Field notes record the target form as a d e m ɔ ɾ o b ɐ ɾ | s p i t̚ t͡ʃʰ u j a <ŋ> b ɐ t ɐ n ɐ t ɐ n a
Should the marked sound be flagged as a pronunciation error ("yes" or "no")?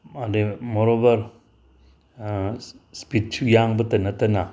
no